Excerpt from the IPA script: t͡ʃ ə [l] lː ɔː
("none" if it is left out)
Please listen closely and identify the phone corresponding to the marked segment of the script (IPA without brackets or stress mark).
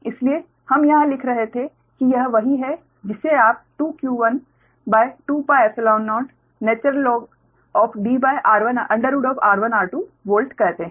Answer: ɾ